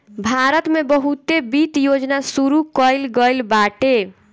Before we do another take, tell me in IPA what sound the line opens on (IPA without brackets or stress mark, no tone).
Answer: bʱ